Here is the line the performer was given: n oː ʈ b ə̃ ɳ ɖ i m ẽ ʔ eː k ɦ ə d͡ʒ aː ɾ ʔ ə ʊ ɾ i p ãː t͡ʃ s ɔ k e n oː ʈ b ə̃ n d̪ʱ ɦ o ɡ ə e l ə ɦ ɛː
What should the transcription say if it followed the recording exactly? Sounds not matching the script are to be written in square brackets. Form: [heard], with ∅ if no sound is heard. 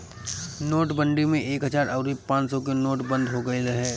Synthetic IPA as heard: n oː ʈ b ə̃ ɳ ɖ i m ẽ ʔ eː k ɦ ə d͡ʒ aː ɾ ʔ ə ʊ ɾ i p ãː t͡ʃ s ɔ k e n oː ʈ b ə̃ n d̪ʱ ɦ o ɡ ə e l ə ɦ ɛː